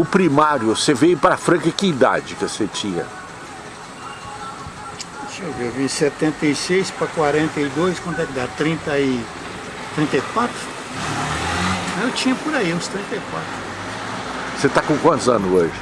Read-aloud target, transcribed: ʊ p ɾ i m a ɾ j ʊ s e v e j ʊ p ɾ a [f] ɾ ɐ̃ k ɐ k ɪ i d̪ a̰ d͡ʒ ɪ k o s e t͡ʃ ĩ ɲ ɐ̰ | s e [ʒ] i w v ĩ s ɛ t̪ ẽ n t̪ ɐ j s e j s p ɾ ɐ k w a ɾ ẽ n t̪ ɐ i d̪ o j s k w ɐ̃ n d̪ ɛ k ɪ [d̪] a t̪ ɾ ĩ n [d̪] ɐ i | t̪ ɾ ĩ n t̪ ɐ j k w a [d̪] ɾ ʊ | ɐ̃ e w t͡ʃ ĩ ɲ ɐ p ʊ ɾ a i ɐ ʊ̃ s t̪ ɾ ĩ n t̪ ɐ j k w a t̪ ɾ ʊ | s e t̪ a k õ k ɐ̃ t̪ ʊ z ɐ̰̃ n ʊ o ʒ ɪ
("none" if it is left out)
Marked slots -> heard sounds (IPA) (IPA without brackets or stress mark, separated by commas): f, v, d̪, t̪, t̪